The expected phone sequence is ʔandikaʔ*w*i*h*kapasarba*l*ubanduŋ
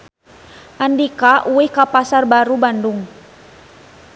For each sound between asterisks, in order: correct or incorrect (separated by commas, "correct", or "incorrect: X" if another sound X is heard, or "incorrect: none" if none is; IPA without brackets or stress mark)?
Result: incorrect: u, correct, incorrect: ɾ